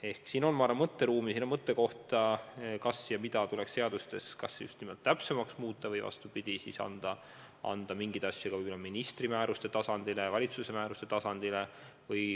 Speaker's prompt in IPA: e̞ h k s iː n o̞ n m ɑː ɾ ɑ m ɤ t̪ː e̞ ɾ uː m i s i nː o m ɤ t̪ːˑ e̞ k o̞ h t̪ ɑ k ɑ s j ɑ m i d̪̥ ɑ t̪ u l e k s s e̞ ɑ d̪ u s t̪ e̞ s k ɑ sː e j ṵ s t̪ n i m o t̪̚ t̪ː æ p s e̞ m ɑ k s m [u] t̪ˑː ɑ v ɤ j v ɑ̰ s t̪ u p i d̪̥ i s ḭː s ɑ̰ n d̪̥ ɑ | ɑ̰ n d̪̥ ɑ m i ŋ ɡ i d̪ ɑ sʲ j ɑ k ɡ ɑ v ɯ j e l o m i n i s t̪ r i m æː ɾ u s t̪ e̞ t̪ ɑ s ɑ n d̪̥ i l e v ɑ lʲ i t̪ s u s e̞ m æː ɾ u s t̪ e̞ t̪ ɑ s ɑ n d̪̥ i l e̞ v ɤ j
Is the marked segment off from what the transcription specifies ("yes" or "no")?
yes